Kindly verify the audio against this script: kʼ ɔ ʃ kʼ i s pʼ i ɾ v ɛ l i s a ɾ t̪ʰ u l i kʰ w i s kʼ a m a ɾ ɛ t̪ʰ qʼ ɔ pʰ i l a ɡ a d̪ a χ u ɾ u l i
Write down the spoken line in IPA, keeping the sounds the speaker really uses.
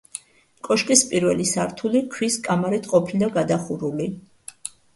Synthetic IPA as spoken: kʼ ɔ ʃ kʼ i s pʼ i ɾ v ɛ l i s a ɾ t̪ʰ u l i kʰ w i s kʼ a m a ɾ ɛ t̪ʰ qʼ ɔ pʰ i l a ɡ a d̪ a χ u ɾ u l i